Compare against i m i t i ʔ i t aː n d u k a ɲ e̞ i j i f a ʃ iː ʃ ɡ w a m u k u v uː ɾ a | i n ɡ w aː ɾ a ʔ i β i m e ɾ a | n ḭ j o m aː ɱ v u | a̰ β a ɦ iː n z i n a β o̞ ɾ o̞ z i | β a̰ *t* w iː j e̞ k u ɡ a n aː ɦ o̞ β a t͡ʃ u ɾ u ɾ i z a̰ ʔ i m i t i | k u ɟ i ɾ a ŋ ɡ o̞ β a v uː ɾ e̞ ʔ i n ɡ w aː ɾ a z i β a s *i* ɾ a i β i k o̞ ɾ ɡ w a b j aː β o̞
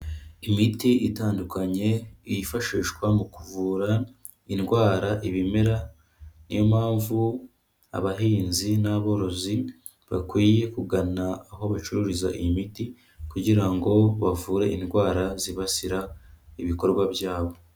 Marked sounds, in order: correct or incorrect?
incorrect, correct

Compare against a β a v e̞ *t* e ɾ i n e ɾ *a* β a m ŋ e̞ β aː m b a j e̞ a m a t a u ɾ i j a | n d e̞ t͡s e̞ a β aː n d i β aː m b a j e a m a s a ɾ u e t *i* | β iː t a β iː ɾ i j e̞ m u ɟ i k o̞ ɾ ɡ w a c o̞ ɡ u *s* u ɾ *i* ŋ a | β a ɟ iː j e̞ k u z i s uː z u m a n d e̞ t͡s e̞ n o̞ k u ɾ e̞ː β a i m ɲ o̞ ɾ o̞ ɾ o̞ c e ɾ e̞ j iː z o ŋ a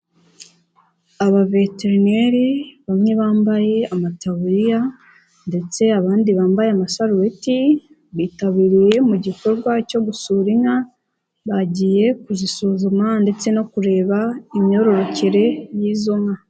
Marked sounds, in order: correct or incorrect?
correct, incorrect, correct, correct, correct

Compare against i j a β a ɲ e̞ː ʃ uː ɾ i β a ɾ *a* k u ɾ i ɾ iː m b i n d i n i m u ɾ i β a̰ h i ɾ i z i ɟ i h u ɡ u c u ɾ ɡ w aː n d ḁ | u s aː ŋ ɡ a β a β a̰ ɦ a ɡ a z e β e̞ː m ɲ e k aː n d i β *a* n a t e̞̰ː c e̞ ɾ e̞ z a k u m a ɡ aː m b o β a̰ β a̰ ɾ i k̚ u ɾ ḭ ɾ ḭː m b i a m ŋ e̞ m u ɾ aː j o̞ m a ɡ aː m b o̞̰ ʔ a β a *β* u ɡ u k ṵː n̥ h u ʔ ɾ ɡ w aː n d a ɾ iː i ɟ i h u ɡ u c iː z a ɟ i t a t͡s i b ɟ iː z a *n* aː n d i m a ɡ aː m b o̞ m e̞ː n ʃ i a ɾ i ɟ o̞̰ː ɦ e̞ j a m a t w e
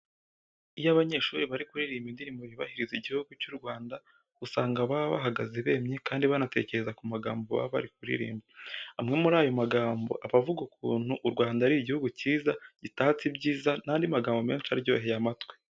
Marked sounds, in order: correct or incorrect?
incorrect, correct, incorrect, correct

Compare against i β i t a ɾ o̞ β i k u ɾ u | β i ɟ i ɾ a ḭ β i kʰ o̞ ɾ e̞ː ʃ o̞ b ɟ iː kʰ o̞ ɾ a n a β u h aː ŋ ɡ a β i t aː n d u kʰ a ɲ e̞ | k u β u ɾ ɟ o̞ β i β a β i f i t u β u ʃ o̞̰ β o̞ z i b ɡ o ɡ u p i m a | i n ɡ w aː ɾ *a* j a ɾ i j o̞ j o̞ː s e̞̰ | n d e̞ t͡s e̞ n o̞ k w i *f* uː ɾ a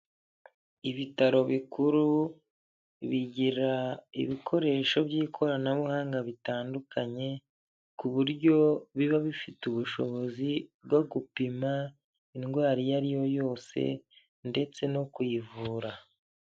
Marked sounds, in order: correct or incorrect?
incorrect, incorrect

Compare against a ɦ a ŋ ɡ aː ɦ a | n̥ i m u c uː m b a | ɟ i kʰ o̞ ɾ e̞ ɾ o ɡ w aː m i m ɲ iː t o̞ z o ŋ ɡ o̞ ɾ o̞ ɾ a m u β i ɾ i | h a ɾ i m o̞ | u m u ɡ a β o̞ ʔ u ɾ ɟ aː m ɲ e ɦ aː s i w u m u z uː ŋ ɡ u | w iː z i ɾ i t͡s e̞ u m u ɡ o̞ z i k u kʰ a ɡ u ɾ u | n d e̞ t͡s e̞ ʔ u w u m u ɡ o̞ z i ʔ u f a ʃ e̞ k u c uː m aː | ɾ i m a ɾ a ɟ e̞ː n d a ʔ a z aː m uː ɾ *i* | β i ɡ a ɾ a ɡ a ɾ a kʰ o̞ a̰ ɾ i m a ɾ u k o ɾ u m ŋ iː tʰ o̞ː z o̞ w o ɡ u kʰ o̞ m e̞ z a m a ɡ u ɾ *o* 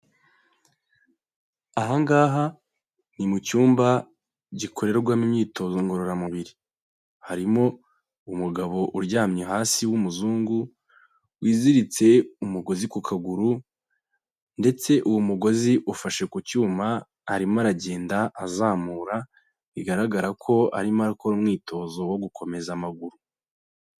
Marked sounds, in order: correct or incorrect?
incorrect, incorrect

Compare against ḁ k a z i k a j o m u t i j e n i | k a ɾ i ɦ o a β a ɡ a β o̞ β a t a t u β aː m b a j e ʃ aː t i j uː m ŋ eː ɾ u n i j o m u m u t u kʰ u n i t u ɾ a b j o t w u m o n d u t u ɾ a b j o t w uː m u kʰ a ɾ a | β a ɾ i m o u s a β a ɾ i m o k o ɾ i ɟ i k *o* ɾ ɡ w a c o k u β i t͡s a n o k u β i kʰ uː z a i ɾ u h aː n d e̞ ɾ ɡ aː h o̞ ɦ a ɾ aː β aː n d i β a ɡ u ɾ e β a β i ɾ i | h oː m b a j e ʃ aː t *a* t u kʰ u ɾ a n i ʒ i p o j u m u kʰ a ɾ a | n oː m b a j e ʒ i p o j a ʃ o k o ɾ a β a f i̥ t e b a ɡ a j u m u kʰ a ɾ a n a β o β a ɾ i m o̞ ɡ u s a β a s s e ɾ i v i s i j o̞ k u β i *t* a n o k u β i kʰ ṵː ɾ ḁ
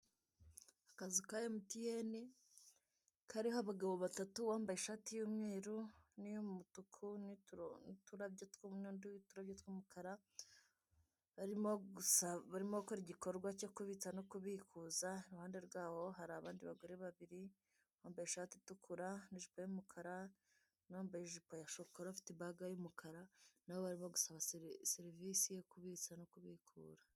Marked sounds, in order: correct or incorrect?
correct, incorrect, incorrect

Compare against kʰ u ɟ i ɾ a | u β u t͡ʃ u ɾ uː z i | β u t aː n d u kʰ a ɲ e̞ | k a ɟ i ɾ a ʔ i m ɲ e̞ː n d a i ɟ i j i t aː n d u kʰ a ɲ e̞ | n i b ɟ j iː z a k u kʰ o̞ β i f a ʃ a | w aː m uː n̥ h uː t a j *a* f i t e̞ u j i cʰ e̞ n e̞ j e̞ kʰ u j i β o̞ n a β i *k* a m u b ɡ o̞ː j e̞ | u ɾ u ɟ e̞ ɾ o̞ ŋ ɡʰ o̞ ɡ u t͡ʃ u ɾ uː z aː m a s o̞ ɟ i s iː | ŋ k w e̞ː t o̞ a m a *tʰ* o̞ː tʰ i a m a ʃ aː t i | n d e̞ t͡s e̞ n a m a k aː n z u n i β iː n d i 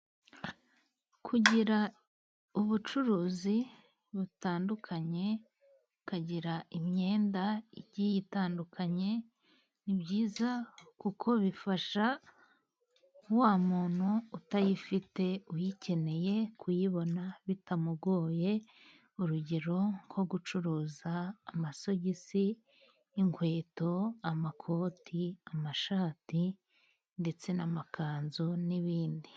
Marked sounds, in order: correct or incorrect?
incorrect, incorrect, incorrect

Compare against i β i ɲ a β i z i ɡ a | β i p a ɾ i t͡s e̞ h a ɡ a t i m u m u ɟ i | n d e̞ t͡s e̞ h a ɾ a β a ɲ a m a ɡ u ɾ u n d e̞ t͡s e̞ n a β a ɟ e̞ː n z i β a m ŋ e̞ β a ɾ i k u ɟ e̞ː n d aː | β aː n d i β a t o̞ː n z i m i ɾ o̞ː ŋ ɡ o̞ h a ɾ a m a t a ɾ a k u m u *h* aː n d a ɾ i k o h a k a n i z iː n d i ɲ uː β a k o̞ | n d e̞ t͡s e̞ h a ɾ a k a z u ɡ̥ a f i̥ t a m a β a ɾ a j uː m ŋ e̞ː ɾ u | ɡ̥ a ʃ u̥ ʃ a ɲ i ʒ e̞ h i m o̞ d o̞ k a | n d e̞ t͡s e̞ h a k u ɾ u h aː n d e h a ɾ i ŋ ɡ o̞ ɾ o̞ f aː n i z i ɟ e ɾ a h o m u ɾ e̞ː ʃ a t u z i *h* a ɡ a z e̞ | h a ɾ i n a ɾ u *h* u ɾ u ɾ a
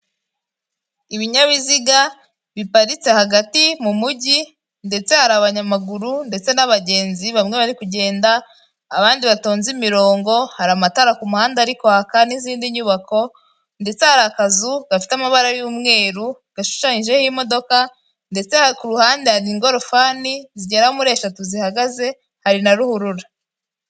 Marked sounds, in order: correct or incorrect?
correct, correct, correct

